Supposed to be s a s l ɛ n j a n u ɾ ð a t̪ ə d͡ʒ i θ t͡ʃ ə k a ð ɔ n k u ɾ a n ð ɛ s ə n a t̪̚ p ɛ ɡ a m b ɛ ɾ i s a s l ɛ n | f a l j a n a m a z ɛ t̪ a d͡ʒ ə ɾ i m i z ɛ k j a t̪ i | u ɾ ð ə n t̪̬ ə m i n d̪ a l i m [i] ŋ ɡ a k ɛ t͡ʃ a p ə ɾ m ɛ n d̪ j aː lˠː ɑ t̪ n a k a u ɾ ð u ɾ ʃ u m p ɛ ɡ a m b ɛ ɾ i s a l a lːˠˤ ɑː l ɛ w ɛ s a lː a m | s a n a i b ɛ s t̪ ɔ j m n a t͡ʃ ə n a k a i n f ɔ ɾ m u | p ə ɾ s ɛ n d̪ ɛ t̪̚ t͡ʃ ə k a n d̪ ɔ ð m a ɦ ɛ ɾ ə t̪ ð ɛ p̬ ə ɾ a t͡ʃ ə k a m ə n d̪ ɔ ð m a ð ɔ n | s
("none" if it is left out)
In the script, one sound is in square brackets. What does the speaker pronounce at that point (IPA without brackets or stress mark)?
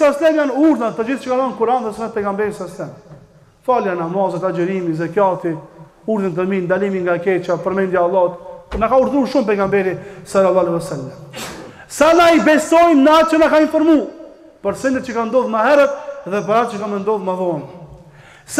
i